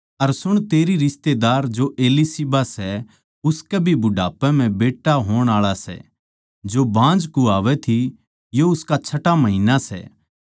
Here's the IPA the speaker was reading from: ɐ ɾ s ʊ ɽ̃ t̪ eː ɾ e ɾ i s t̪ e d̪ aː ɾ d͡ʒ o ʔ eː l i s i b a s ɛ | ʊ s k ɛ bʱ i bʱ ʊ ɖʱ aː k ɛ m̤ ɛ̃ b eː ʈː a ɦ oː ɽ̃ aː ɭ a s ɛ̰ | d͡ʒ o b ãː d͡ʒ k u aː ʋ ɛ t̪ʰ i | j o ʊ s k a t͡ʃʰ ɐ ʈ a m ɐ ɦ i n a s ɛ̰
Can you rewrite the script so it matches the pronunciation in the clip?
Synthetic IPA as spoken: ɐ ɾ s ʊ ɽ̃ t̪ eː ɾ i ɾ ɪ s t̪ e d̪ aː ɾ d͡ʒ o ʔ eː l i s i b a s ɛ | ʊ s k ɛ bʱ i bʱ ʊ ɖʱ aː p ɛ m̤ ɛ̃ b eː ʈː a ɦ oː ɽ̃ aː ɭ a s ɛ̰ | d͡ʒ o b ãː d͡ʒ k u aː ʋ ɛ t̪ʰ i | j o ʊ s k a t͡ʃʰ ɐ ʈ a m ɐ ɦ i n a s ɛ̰